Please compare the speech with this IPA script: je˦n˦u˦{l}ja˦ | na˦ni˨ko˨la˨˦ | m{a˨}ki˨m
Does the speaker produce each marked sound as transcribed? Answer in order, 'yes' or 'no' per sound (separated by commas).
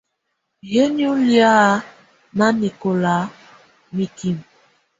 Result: yes, no